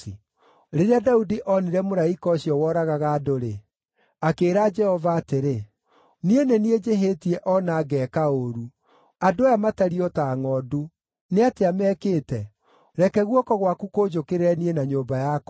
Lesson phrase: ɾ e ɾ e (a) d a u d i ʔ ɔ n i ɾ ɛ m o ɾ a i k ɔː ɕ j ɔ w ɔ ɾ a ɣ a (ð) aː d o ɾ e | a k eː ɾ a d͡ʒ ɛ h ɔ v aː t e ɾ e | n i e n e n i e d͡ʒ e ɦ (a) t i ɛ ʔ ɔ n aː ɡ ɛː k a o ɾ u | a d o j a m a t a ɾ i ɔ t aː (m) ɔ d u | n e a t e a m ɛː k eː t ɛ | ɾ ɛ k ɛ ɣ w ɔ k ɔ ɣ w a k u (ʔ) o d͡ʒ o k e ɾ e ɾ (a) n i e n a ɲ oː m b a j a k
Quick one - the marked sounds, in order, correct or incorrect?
correct, incorrect: ɣ, incorrect: e, incorrect: ŋ, incorrect: k, incorrect: ɛ

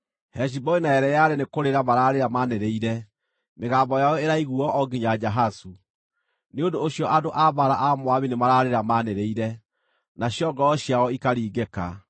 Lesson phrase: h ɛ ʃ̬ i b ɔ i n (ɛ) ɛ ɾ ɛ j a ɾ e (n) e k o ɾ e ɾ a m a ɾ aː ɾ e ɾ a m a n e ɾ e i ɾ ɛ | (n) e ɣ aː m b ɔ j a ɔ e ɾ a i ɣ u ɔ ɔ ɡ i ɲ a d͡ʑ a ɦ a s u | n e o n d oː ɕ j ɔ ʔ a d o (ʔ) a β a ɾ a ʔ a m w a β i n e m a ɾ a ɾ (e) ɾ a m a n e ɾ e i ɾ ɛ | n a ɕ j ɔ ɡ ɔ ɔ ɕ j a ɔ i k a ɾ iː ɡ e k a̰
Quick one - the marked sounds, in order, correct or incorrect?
incorrect: a, correct, incorrect: m, correct, correct

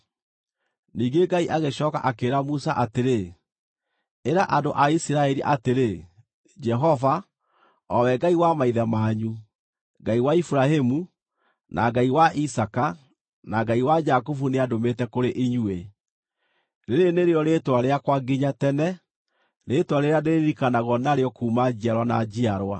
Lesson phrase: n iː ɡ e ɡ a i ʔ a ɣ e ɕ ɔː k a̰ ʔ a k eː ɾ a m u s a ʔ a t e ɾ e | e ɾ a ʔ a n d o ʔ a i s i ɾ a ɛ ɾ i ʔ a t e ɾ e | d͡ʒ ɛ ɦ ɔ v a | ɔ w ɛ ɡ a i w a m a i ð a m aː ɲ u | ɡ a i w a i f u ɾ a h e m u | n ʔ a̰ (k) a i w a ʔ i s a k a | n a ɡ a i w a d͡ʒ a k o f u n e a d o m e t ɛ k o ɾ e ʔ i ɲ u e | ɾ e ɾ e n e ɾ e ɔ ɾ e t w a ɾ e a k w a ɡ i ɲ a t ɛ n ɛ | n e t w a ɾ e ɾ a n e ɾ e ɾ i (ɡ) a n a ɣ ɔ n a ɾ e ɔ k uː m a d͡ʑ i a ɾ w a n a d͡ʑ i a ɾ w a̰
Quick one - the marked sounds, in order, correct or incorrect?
incorrect: ɡ, incorrect: k

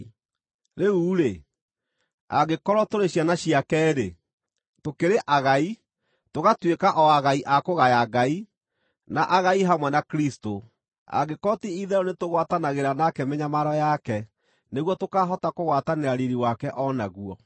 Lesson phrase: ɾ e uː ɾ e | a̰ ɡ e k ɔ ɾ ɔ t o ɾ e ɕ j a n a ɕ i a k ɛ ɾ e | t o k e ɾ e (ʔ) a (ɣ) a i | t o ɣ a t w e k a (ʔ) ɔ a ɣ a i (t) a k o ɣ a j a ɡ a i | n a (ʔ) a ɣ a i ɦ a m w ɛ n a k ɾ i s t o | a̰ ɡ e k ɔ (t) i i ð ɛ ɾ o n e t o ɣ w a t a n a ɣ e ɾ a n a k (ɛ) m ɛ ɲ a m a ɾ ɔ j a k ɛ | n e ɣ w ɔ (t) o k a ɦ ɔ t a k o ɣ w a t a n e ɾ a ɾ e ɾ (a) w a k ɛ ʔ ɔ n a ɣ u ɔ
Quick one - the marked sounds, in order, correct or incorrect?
correct, correct, correct, incorrect: ʔ, correct, correct, correct, correct, incorrect: i

